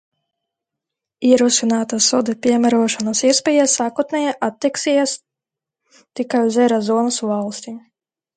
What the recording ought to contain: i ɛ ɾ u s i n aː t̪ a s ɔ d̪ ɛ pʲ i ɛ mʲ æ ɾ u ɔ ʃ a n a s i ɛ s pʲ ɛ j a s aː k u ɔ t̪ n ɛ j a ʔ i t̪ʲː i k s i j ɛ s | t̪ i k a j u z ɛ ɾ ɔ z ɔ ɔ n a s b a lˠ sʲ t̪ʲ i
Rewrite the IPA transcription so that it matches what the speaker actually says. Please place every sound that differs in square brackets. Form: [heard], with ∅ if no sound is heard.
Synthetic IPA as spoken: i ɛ ɾ u s i n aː t̪ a s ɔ d̪ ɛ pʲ i ɛ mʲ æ ɾ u ɔ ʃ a n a s i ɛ s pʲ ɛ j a s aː k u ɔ t̪ n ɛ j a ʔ [a] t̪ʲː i k s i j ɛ s | t̪ i k a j u z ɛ ɾ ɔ z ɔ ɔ n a s [v] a lˠ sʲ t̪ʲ i